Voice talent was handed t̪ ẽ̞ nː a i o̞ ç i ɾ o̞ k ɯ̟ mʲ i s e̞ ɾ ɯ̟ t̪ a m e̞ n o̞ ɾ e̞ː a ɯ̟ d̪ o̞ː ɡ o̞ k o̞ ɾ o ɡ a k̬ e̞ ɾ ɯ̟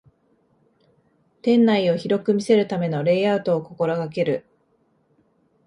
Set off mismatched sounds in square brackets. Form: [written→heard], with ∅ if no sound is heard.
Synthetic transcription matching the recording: t̪ ẽ̞ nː a i o̞ ç i ɾ o̞ k ɯ̟ mʲ i s e̞ ɾ ɯ̟ t̪ a m e̞ n o̞ ɾ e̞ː a ɯ̟ [d̪→t̪] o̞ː [ɡ→k] o̞ k o̞ ɾ o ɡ a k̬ e̞ ɾ ɯ̟